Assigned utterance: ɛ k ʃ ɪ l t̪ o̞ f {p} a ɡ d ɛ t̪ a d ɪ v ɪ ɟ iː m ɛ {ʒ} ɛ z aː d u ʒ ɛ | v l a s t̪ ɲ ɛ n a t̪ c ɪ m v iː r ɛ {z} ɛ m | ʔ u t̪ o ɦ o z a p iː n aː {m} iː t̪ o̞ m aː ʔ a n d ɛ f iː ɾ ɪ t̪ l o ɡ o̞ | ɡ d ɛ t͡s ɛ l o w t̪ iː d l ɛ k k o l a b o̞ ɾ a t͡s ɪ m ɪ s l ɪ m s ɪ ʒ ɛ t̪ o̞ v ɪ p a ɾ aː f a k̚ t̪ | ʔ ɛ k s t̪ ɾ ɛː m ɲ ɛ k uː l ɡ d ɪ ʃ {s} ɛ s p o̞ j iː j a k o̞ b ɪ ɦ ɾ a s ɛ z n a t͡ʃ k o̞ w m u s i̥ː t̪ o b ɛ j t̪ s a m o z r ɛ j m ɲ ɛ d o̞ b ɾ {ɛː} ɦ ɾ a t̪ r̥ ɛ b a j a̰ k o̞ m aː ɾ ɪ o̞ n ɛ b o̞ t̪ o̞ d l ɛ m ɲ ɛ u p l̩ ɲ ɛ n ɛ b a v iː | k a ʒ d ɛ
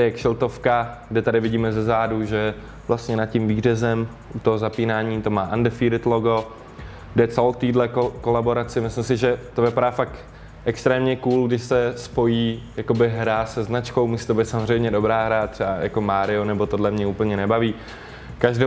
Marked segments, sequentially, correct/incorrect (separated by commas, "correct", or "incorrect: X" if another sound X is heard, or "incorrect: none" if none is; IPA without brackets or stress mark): incorrect: k, incorrect: z, correct, incorrect: ɲ, correct, incorrect: aː